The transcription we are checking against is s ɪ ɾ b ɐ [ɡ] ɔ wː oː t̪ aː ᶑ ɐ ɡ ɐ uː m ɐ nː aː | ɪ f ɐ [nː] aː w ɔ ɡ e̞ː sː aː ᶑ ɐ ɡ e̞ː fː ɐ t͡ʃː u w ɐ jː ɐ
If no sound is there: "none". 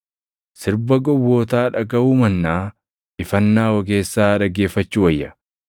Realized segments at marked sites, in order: ɡ, nː

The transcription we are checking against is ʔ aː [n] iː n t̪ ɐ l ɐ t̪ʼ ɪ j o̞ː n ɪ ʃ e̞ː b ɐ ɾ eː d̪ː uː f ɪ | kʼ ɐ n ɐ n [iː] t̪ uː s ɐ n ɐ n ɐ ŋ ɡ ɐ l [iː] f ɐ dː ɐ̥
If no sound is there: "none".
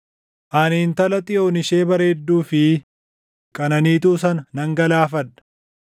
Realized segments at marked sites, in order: n, iː, aː

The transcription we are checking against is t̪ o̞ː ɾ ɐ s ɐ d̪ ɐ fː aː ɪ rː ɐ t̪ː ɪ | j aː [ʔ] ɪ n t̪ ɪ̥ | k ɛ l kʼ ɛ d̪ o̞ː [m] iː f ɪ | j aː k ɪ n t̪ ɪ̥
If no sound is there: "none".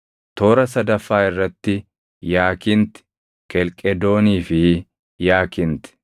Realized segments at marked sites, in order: k, n

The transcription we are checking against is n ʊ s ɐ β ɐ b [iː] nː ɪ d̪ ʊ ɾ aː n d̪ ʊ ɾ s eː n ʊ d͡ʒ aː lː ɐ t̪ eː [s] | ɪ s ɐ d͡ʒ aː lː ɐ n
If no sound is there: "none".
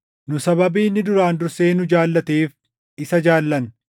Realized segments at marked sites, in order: iː, f

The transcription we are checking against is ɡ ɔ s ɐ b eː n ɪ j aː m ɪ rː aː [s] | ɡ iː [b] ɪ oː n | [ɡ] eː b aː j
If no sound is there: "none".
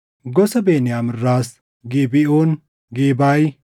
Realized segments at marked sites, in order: s, b, ɡ

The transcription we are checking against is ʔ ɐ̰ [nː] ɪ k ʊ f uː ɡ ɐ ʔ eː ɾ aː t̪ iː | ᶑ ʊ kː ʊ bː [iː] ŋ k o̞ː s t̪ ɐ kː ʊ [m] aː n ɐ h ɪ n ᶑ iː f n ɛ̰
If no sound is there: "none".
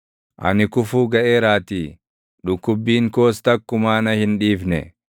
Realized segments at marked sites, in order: n, iː, m

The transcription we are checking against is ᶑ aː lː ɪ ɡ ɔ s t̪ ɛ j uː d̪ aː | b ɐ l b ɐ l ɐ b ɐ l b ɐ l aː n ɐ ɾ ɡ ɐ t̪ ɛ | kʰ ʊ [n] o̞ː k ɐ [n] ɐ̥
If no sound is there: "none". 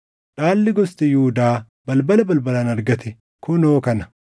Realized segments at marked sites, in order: n, n

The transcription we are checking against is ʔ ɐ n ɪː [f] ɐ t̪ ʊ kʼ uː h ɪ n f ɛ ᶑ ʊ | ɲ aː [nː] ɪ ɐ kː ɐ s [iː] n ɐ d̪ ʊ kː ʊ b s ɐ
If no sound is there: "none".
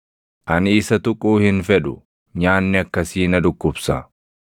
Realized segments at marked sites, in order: s, nː, iː

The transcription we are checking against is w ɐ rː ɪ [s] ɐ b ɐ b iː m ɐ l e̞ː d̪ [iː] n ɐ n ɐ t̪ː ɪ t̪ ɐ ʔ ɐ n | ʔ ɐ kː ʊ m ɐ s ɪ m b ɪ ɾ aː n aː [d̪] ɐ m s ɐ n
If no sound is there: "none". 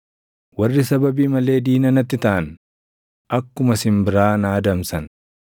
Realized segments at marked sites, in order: s, iː, d̪

